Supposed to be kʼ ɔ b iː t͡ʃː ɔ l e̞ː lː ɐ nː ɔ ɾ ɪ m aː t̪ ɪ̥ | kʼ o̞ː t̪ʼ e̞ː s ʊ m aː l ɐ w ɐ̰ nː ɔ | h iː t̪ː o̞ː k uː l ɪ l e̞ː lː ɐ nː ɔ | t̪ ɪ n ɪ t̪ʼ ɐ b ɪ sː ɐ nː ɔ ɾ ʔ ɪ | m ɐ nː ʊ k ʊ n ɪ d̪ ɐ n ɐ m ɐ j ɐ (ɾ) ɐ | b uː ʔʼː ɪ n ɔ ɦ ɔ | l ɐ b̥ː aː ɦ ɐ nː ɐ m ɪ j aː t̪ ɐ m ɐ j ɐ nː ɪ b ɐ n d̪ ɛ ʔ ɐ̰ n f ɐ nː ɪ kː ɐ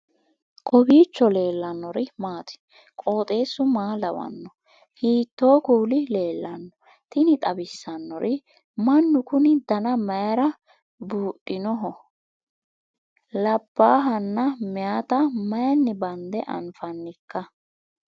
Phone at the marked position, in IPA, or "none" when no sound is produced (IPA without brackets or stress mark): ɾ